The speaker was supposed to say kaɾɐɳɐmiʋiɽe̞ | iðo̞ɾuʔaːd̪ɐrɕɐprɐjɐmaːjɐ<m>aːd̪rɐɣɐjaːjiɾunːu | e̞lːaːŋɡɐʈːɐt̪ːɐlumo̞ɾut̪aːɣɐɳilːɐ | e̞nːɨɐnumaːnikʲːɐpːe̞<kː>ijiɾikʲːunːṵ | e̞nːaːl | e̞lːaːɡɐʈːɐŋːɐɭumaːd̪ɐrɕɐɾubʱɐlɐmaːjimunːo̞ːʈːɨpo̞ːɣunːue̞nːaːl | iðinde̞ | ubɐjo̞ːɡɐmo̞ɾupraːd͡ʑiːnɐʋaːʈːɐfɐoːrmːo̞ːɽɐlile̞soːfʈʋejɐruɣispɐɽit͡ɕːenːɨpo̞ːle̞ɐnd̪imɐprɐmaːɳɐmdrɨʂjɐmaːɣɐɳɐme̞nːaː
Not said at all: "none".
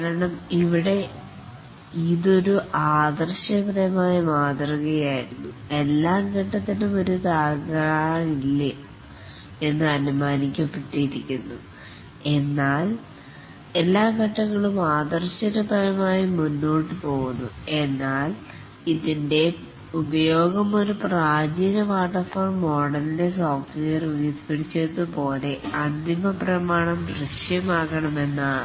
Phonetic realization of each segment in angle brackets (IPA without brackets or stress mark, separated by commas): m, ʈː